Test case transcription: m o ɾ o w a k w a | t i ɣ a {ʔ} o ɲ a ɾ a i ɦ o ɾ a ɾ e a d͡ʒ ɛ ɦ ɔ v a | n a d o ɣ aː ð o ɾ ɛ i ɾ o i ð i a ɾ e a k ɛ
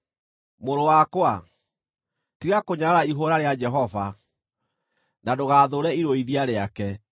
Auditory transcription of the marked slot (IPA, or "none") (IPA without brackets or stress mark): k